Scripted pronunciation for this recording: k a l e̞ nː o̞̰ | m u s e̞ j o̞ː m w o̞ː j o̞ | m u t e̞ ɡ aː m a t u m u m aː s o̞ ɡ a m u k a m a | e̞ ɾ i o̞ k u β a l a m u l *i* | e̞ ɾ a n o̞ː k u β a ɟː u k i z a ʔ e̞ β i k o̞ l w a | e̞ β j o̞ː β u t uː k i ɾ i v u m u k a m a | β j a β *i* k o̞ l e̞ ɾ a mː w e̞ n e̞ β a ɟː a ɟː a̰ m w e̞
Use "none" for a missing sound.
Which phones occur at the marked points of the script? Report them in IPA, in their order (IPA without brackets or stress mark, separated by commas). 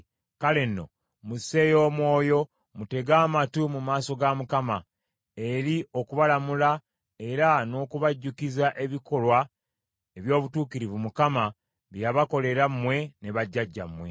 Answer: a, a